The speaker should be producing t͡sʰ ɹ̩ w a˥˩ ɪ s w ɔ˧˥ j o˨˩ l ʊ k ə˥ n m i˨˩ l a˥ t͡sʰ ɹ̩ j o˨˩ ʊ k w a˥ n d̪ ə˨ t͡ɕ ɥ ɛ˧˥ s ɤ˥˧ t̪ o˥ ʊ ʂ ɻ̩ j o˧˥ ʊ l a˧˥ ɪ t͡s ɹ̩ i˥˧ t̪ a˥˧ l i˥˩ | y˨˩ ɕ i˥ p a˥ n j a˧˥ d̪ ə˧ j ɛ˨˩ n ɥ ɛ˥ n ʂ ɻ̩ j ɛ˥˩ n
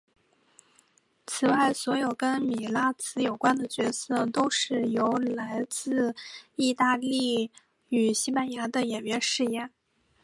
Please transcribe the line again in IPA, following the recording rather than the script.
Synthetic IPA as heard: t͡sʰ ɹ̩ w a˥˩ ɪ s w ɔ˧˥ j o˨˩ ʊ k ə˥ n m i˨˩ l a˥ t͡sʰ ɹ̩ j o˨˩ ʊ k w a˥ n d̪ ə˨ t͡ɕ ɥ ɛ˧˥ s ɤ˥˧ t̪ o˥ ʊ ʂ ɻ̩ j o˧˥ ʊ l a˧˥ ɪ t͡s ɹ̩ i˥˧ t̪ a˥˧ l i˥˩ | y˨˩ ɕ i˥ p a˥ n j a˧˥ d̪ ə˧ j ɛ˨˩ n ɥ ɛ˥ n ʂ ɻ̩ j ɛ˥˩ n

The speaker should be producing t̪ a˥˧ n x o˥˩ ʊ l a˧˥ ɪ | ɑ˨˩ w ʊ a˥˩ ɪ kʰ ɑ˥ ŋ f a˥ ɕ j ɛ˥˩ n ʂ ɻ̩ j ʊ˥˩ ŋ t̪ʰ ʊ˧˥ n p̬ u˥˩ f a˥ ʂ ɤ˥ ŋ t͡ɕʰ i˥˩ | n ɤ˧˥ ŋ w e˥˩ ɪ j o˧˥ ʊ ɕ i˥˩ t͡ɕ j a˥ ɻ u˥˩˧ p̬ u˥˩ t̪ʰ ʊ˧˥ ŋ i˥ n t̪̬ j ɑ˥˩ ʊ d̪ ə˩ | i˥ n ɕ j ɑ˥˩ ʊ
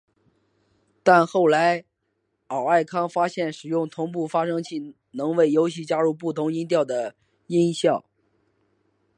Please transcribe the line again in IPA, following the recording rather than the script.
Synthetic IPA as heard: t̪ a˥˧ n x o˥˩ ʊ l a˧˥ ɪ | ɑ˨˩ ʊ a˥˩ ɪ kʰ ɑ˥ ŋ f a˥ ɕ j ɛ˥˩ n ʂ ɻ̩ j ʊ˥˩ ŋ t̪ʰ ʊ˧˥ ŋ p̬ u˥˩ f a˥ ʂ ɤ˥ ŋ t͡ɕʰ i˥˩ | n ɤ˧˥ ŋ w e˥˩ ɪ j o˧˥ ʊ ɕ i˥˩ t͡ɕ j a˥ ɻ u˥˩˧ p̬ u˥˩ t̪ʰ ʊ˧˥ ŋ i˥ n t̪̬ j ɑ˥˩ ʊ d̪ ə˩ | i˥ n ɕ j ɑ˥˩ ʊ

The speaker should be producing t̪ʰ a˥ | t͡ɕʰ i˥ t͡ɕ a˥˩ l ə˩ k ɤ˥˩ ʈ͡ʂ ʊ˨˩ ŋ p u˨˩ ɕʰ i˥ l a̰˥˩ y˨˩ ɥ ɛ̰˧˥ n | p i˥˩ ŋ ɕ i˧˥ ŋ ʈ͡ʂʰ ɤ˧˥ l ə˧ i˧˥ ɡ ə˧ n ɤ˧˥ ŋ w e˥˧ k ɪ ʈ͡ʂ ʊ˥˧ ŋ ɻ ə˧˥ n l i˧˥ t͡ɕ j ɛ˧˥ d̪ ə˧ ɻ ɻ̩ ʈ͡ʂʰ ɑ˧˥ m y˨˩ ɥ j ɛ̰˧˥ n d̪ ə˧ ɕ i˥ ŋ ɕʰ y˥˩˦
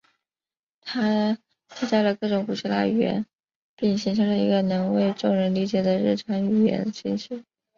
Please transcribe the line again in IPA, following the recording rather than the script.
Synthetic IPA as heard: t̪ʰ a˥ | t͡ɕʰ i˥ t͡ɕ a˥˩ l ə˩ k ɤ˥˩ ʈ͡ʂ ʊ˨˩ ŋ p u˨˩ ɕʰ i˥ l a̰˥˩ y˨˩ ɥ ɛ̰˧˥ n | p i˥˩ ŋ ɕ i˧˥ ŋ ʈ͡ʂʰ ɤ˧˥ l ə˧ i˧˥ ɡ ə˧ n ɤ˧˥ ŋ w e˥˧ ɪ ʈ͡ʂ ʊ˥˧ ŋ ɻ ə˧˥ n l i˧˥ t͡ɕ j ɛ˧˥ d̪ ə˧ ɻ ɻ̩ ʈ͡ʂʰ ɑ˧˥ ŋ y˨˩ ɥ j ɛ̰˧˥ n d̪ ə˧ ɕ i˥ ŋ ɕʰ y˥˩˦

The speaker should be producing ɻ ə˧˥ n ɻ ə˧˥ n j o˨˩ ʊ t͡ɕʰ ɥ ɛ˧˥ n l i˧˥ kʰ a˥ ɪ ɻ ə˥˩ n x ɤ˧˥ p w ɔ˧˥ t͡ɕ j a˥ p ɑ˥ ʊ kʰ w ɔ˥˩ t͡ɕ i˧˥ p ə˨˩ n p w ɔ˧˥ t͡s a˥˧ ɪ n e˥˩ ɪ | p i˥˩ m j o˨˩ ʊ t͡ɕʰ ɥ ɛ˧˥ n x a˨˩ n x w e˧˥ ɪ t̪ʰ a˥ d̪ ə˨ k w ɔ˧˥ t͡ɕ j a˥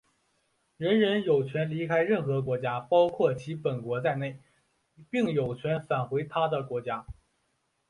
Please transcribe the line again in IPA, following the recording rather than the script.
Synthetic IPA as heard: ɻ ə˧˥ n ɻ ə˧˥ n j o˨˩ ʊ t͡ɕʰ ɥ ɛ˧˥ n l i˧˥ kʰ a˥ ɪ ɻ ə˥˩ n x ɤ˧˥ k w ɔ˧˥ t͡ɕ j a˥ p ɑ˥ ʊ kʰ w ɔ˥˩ t͡ɕʰ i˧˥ p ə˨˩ n k w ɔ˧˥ t͡s a˥˧ ɪ n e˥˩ ɪ | p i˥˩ ŋ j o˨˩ ʊ t͡ɕʰ ɥ ɛ˧˥ n f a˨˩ n x w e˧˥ ɪ t̪ʰ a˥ d̪ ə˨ k w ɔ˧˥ t͡ɕ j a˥

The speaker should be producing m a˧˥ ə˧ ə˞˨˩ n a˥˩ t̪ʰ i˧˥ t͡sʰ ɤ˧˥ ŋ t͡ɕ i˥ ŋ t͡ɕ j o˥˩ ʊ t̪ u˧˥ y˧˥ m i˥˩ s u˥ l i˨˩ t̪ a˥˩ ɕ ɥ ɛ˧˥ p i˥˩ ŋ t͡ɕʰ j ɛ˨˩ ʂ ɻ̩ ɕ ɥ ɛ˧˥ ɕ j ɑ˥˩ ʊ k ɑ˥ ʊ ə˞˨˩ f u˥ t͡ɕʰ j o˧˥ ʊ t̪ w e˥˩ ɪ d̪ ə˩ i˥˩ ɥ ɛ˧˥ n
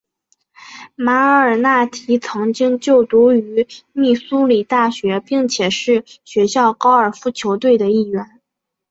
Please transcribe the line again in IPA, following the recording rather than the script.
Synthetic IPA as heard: m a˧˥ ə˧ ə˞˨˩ n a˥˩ t̪ʰ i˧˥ t͡sʰ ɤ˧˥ ŋ t͡ɕ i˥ ŋ t͡ɕ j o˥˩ ʊ t̪ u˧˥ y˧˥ m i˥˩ s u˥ l i˨˩ t̪ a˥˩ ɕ ɥ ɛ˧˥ p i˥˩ ŋ t͡ɕʰ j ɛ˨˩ ʂ ɻ̩ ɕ ɥ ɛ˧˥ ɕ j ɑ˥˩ ʊ k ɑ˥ ʊ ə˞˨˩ f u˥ t͡ɕʰ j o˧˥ ʊ t̪ w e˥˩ ɪ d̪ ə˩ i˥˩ ɥ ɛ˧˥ n

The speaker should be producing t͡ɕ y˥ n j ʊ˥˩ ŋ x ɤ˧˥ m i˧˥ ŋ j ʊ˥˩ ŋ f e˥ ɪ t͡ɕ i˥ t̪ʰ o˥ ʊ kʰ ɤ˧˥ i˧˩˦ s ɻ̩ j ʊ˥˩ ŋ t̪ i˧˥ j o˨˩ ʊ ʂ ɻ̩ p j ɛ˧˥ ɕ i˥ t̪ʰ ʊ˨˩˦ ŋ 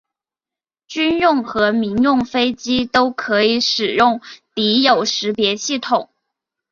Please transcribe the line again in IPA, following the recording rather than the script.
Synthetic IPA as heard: t͡ɕ y˥ n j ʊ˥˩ ŋ x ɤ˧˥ m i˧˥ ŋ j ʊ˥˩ ŋ f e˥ ɪ t͡ɕ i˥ t̪ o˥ ʊ kʰ ɤ˧˥ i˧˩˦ ʂ ɻ̩ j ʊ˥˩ ŋ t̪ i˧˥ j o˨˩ ʊ ʂ ɻ̩ p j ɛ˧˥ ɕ i˥˩ t̪ʰ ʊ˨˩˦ ŋ

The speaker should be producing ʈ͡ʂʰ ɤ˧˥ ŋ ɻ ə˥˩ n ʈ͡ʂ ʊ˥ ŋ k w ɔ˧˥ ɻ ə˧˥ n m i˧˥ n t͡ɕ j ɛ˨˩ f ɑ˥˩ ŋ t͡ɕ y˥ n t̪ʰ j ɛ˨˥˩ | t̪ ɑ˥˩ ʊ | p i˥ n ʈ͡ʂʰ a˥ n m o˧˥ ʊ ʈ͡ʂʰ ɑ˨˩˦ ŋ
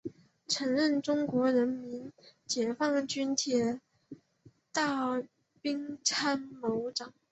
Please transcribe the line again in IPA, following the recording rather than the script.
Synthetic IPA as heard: ʈ͡ʂʰ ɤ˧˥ ŋ ɻ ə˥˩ n ʈ͡ʂ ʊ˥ ŋ k w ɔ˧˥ ɻ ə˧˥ n m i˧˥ n t͡ɕ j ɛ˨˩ f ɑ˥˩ ŋ t͡ɕ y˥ n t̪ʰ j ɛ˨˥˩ | t̪ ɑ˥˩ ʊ | p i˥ ŋ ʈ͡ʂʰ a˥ n m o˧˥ ʊ ʈ͡ʂ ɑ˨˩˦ ŋ

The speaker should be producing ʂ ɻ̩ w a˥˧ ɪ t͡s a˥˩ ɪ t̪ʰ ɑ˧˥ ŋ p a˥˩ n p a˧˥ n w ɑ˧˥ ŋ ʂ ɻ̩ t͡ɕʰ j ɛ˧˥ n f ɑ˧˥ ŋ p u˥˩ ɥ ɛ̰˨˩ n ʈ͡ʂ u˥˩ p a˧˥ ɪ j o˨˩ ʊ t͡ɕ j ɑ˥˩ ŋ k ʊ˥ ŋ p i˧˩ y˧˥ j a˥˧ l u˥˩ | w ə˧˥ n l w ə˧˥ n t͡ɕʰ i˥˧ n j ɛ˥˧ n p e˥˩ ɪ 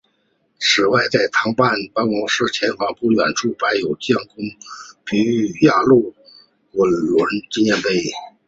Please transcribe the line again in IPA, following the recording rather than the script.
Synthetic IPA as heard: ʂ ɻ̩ w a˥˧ ɪ t͡s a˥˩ ɪ t̪ʰ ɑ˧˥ ŋ p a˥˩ n p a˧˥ n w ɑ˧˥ ŋ ʂ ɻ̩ t͡ɕʰ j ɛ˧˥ n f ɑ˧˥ ŋ p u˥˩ ɥ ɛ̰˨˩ n ʈ͡ʂ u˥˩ p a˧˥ ɪ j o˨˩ ʊ t͡ɕ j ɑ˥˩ ŋ k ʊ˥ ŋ p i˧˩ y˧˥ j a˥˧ l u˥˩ | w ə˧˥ n l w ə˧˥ n t͡ɕ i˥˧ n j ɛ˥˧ n p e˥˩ ɪ

